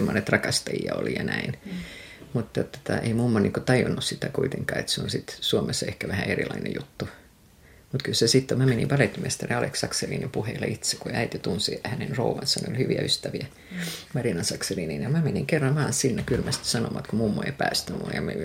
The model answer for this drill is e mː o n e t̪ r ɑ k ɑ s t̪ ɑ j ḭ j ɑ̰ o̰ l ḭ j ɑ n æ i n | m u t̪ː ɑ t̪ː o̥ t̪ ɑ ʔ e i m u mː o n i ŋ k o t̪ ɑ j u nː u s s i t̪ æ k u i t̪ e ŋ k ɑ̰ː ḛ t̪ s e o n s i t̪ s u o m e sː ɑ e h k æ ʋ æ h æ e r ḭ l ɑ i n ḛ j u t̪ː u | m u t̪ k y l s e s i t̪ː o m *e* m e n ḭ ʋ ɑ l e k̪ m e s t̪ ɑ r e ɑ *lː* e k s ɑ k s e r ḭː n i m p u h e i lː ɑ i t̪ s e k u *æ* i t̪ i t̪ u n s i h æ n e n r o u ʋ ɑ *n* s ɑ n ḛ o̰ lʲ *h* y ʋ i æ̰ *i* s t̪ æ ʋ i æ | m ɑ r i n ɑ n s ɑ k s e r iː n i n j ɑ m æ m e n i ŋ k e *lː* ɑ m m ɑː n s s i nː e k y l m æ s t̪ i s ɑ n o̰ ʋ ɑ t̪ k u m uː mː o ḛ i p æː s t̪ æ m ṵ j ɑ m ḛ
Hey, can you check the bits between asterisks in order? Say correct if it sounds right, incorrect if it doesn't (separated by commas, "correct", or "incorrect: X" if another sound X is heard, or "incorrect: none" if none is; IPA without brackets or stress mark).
incorrect: æ, incorrect: l, correct, correct, correct, incorrect: y, incorrect: rː